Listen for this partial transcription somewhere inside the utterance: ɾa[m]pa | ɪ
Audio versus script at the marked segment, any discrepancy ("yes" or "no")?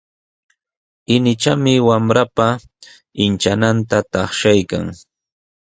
yes